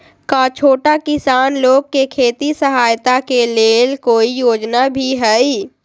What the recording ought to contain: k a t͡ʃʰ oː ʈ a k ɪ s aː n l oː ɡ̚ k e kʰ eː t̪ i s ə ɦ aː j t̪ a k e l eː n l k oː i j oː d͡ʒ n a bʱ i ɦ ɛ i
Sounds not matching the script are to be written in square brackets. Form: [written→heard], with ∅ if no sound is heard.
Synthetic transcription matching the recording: k a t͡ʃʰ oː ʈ a k ɪ s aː n l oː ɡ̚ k e kʰ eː t̪ i s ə ɦ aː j t̪ a k e l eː [n→∅] l k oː i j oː d͡ʒ n a bʱ i ɦ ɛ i